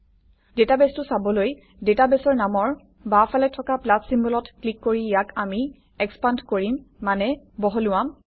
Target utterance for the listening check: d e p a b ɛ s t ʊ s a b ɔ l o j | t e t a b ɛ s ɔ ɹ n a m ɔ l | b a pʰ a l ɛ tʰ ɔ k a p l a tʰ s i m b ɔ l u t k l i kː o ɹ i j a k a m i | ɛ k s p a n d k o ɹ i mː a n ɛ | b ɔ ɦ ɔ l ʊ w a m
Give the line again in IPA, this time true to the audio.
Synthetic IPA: d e t a b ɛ s t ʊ s a b ɔ l o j | d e t a b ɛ s ɔ ɹ n a m ɔ ɹ | b a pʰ a l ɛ tʰ ɔ k a p l a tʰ s i m b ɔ l ɔ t k l i kː o ɹ i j a k a m i | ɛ k s p a n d k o ɹ i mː a n ɛ | b ɔ ɦ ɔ l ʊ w a m